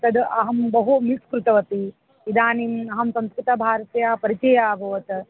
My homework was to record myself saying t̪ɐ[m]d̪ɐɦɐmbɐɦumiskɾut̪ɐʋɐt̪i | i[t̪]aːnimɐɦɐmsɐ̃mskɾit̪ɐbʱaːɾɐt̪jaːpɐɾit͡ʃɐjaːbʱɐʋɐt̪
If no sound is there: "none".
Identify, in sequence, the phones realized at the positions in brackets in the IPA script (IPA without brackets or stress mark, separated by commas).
none, d̪